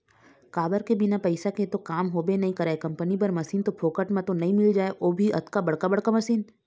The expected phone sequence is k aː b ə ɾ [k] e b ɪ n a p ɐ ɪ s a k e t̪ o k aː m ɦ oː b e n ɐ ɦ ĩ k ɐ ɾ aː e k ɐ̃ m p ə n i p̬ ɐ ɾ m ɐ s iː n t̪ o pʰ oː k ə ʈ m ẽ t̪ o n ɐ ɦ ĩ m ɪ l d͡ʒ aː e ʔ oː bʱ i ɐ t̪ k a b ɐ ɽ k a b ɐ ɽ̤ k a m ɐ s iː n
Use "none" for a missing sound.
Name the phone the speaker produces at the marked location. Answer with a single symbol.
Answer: k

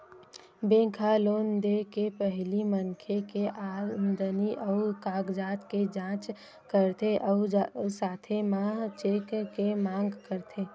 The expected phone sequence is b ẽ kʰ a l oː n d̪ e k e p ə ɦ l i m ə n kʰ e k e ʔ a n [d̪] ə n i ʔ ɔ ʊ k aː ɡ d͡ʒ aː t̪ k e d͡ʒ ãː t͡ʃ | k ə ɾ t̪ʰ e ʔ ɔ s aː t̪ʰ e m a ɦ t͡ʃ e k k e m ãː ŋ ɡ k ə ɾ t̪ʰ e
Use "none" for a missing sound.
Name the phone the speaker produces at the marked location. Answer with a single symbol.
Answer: d̪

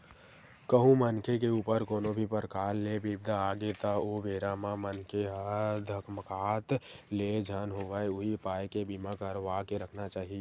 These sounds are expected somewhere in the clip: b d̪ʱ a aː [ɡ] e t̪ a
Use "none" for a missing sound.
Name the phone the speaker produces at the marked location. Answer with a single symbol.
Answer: ɡ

